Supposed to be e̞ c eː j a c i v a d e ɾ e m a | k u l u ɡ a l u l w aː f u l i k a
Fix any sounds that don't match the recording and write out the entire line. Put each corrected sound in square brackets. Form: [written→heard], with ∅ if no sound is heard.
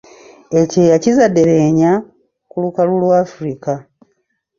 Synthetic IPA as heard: e̞ c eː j a c i [v→z] a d e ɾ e [m→ɲ] a | k u l u [ɡ→k] a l u l w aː f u [l→ɾ] i k a